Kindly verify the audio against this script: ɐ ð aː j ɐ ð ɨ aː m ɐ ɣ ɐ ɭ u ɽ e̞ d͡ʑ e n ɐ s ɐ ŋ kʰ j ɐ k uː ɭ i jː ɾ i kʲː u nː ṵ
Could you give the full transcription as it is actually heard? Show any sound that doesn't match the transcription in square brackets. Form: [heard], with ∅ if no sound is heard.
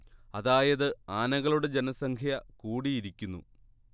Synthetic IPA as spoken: ɐ ð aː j ɐ ð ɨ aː [n] ɐ ɣ ɐ ɭ u ɽ e̞ d͡ʑ e n ɐ s ɐ ŋ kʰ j ɐ k uː [ɽ] i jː ɾ i kʲː u nː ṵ

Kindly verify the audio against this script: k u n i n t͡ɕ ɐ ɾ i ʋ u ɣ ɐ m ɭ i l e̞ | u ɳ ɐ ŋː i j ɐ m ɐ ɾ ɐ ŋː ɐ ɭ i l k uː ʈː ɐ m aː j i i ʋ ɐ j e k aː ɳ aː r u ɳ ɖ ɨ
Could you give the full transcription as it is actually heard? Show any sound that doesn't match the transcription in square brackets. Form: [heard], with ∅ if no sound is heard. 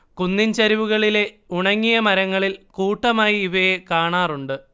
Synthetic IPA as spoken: k u [nː] i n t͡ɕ ɐ ɾ i ʋ u ɣ ɐ [∅] ɭ i l e̞ | u ɳ ɐ ŋː i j ɐ m ɐ ɾ ɐ ŋː ɐ ɭ i l k uː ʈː ɐ m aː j i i ʋ ɐ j e k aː ɳ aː r u ɳ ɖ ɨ

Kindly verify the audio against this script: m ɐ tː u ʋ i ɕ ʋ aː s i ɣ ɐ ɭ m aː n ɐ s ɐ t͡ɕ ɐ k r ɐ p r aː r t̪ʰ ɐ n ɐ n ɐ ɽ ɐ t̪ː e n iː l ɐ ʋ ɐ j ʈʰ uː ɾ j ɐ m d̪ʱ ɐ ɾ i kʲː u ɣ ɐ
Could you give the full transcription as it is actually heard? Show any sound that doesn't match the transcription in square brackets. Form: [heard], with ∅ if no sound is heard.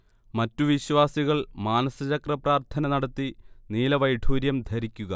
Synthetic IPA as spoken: m ɐ tː u ʋ i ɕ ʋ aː s i ɣ ɐ ɭ m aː n ɐ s ɐ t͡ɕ ɐ k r ɐ p r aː r t̪ʰ ɐ n ɐ n ɐ ɽ ɐ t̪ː [i] n iː l ɐ ʋ ɐ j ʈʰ uː ɾ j ɐ m d̪ʱ ɐ ɾ i kʲː u ɣ ɐ

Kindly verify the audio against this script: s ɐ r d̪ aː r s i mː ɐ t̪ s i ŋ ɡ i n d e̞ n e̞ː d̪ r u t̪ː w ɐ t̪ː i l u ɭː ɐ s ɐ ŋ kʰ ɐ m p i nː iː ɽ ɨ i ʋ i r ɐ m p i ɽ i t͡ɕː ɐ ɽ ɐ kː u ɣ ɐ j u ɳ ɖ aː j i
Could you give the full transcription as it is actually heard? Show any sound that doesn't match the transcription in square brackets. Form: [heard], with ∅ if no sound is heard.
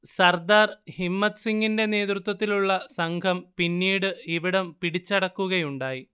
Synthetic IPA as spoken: s ɐ r d̪ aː r [h] i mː ɐ t̪ s i ŋ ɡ i n d e̞ n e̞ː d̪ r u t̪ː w ɐ t̪ː i l u ɭː ɐ s ɐ ŋ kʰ ɐ m p i nː iː ɽ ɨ i ʋ i [ɽ] ɐ m p i ɽ i t͡ɕː ɐ ɽ ɐ kː u ɣ ɐ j u ɳ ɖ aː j i

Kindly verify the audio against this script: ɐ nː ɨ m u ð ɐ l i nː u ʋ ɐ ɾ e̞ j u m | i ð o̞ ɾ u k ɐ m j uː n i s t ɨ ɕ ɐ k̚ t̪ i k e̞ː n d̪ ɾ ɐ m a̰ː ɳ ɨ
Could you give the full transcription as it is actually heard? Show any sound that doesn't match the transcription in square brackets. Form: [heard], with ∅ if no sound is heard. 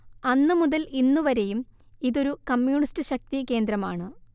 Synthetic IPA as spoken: ɐ nː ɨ m u ð ɐ l i nː u ʋ ɐ ɾ e̞ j u m | i ð o̞ ɾ u k ɐ m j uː [ɳ] i s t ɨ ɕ ɐ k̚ t̪ i k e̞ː n d̪ ɾ ɐ m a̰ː ɳ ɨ

